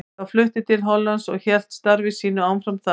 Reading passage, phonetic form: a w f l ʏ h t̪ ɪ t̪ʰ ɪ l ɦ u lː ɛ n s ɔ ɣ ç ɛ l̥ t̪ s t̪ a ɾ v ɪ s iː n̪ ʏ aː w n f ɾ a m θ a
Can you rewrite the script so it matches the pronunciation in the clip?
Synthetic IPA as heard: a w f l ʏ h t̪ ɪ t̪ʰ ɪ l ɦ ɔ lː a n s ɔ ɣ ç ɛ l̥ t̪ s t̪ a ɾ v ɪ s iː n̪ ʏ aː w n f ɾ a m θ a